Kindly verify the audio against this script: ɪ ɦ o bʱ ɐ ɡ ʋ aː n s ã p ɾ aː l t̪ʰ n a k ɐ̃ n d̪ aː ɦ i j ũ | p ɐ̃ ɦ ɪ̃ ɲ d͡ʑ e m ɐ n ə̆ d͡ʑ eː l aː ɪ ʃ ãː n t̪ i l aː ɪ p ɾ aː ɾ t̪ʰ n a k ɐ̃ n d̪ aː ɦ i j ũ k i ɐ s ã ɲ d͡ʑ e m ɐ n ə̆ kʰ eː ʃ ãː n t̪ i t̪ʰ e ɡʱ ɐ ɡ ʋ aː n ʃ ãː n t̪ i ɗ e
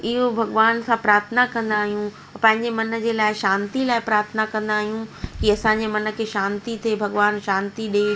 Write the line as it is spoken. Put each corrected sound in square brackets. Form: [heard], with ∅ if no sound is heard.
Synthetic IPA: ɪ ɦ o bʱ ɐ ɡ ʋ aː n s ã p ɾ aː [ɾ] t̪ʰ n a k ɐ̃ n d̪ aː ɦ i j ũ | p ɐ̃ ɦ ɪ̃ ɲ d͡ʑ e m ɐ n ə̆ d͡ʑ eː l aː ɪ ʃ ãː n t̪ i l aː ɪ p ɾ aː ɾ t̪ʰ n a k ɐ̃ n d̪ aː ɦ i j ũ k i ɐ s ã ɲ d͡ʑ e m ɐ n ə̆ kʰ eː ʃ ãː n t̪ i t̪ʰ e [bʱ] ɐ ɡ ʋ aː n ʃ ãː n t̪ i ɗ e

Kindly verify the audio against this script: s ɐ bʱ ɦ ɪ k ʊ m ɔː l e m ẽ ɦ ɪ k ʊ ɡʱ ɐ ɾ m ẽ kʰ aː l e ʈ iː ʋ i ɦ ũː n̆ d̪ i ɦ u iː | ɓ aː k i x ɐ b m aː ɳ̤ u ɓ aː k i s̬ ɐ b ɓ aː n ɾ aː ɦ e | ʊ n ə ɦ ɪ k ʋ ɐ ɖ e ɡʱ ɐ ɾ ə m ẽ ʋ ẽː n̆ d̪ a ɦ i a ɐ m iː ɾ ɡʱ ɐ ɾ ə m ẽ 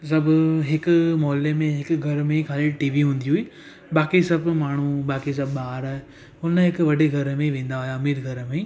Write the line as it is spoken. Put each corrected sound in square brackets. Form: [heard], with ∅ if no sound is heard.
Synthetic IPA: s ɐ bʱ ɦ ɪ k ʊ m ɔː l e m ẽ ɦ ɪ k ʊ ɡʱ ɐ ɾ m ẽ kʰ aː l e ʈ iː ʋ i ɦ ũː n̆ d̪ i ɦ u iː | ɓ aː k i [s] ɐ b m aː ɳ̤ u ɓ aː k i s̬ ɐ b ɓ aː [∅] ɾ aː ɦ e | ʊ n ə ɦ ɪ k ʋ ɐ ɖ e ɡʱ ɐ ɾ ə m ẽ ʋ ẽː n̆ d̪ a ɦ [j] a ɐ m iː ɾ ɡʱ ɐ ɾ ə m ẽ

